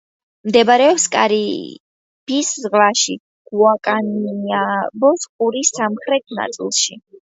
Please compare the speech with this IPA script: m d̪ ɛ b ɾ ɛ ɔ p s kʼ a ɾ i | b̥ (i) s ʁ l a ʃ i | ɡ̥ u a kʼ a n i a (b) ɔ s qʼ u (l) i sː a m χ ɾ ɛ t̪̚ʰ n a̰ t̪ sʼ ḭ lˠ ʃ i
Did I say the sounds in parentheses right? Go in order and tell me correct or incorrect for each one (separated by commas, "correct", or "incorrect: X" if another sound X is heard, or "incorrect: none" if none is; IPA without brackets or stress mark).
correct, correct, incorrect: ɾ